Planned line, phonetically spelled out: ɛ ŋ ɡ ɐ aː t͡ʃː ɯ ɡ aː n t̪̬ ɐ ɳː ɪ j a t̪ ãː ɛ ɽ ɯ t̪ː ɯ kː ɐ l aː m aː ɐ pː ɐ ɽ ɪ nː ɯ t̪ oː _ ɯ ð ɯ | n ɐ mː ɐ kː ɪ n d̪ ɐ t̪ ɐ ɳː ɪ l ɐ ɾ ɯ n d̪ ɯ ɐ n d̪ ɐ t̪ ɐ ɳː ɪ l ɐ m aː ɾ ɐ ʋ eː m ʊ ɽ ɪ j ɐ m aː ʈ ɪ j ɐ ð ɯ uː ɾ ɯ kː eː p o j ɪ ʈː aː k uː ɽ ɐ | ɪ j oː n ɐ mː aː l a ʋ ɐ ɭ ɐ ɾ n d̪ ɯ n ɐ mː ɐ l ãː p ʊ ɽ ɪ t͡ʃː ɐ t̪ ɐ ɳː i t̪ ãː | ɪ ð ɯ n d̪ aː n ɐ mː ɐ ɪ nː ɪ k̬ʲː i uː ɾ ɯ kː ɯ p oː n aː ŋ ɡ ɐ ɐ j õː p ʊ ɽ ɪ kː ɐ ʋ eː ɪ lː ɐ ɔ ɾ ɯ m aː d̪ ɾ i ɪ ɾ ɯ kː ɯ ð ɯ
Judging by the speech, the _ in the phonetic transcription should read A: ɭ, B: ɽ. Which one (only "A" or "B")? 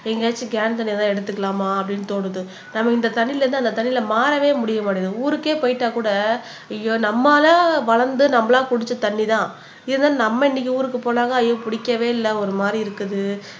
B